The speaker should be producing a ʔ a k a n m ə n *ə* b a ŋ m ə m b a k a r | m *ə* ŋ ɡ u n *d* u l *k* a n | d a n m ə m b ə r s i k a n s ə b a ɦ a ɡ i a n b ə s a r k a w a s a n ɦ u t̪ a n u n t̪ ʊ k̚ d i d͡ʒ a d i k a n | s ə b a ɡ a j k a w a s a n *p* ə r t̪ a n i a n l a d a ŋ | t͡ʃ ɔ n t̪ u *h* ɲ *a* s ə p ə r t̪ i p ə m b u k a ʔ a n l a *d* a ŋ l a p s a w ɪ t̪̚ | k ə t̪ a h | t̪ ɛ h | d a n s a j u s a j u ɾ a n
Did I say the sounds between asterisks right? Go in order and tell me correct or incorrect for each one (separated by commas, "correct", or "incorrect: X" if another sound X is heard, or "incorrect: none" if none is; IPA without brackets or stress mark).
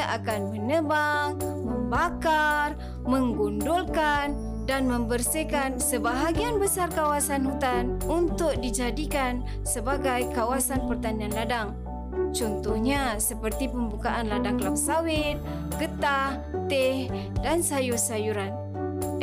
correct, correct, correct, correct, correct, correct, correct, correct